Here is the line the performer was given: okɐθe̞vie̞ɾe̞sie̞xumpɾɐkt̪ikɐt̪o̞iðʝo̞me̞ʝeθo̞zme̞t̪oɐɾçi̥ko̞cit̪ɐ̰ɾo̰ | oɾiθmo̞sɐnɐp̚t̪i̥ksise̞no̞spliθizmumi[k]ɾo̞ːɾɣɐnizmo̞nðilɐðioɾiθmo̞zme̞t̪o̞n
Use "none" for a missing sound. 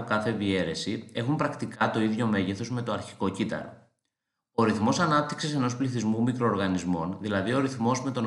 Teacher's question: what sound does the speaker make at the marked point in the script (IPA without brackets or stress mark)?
k